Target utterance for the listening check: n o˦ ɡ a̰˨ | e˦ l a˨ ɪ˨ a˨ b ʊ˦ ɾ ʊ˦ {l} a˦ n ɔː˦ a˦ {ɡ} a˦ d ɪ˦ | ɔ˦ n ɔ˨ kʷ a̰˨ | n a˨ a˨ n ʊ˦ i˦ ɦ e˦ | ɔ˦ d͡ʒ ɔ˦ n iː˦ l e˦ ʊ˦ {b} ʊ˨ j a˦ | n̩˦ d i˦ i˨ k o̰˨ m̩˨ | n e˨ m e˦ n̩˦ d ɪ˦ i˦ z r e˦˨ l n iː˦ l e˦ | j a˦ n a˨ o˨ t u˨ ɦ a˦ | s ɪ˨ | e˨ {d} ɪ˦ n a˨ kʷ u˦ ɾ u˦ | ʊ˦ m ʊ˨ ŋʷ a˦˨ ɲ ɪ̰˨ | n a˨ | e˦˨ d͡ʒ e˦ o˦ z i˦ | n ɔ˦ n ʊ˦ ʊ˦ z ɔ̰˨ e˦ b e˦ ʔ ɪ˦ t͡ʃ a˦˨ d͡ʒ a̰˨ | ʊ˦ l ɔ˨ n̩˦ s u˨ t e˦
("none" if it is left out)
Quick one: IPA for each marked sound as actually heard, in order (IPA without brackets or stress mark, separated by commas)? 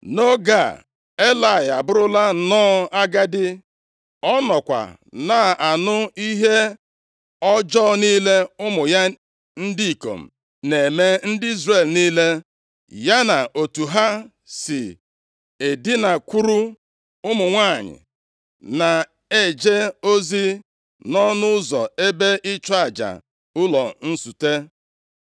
l, ɡ, m, d